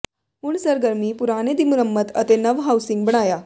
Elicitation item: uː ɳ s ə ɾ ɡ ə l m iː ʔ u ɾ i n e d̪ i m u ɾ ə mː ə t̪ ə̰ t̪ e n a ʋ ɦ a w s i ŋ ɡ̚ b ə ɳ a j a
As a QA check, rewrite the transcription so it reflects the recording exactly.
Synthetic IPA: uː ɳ s ə ɾ ɡ ə ɾ m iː p u ɾ a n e d̪ i m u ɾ ə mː ə t̪ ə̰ t̪ e n ə ʋ ɦ a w s i ŋ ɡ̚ b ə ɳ a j a